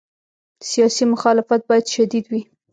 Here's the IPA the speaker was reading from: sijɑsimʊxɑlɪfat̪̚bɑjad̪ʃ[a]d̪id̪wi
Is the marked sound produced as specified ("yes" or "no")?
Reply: yes